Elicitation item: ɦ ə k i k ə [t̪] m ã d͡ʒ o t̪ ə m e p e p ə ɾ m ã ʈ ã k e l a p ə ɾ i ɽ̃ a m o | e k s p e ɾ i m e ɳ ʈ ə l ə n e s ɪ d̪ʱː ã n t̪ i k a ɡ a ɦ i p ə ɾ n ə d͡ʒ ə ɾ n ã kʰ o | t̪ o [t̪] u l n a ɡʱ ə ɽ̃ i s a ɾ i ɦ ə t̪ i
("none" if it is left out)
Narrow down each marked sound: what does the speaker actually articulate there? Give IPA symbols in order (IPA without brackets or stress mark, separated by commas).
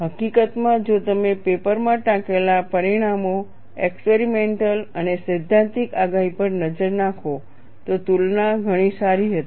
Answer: t̪, t̪